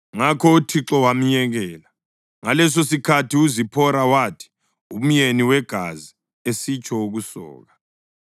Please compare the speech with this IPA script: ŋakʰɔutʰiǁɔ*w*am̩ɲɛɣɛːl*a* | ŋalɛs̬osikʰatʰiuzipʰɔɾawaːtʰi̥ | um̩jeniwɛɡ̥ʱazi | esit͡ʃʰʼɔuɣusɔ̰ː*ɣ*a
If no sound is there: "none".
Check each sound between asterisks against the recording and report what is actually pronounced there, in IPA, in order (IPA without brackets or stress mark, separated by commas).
w, a, ɣ